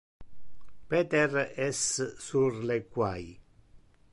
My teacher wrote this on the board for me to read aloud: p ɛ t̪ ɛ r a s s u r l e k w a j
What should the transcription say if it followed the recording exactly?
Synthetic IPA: p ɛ t̪ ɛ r ɛ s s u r l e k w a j

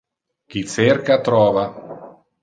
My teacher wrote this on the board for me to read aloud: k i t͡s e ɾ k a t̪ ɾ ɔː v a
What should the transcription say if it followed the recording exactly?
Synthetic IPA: k i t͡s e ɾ k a t̪ ɾ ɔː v a

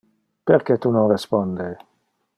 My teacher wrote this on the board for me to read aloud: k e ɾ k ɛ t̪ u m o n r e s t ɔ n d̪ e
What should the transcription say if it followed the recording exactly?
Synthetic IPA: p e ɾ k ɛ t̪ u n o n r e s p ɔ n d̪ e

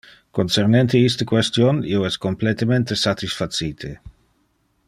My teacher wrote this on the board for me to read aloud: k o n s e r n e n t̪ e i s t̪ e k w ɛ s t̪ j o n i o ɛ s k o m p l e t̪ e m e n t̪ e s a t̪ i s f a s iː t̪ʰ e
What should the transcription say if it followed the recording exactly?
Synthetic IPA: k o n s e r n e n t̪ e i s t̪ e k w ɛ s t̪ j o n i o ɛ s k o m p l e t̪ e m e n t̪ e s a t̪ i s f a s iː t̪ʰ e

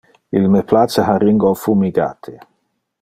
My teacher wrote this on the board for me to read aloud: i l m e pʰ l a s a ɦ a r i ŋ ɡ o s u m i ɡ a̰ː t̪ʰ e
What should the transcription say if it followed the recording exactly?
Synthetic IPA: i l m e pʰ l a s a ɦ a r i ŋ ɡ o f u m i ɡ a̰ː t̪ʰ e

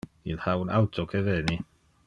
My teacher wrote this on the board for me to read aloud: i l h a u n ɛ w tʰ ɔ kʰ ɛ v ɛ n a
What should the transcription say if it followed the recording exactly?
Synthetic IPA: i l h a w n a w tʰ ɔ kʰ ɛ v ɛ n i

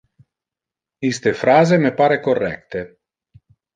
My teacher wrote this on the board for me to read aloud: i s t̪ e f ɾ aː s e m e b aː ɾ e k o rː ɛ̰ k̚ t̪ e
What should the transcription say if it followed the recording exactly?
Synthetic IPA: i s t̪ e f ɾ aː z e m e p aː ɾ e k o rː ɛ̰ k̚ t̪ e

